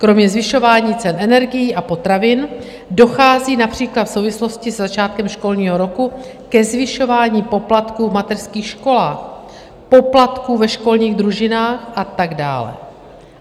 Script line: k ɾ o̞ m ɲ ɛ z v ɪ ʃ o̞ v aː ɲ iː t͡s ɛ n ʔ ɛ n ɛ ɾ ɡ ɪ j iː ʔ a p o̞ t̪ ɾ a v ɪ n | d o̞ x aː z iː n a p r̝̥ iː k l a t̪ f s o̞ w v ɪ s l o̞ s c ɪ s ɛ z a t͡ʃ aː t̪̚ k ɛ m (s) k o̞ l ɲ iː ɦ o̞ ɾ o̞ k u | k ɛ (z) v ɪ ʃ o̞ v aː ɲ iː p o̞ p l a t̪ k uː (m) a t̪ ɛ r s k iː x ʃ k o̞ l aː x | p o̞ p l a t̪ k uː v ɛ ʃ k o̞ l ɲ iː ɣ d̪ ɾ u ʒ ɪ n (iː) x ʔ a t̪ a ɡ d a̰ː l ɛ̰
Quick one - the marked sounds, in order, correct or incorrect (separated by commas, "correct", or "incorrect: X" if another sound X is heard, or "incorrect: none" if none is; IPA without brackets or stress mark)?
incorrect: ʃ, correct, correct, incorrect: aː